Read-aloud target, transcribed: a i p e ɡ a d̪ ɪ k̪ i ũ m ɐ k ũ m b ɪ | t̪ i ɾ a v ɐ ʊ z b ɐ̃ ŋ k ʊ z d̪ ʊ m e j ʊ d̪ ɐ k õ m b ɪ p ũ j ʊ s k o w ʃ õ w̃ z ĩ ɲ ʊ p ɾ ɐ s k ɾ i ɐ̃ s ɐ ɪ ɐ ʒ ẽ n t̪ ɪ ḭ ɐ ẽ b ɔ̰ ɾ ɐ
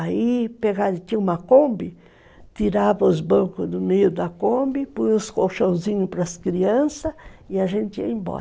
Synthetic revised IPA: a i p e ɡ a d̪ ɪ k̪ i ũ m ɐ k õ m b ɪ | t̪ i ɾ a v ɐ ʊ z b ɐ̃ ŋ k ʊ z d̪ ʊ m e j ʊ d̪ ɐ k õ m b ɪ p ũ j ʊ s k o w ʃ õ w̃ z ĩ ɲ ʊ p ɾ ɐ s k ɾ i ɐ̃ s ɐ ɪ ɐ ʒ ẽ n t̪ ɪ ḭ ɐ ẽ b ɔ̰ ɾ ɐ